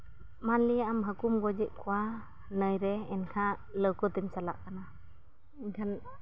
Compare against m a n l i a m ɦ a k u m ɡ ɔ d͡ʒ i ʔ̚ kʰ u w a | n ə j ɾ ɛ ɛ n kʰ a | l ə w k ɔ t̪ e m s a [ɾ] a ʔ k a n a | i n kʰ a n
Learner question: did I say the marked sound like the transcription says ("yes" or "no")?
no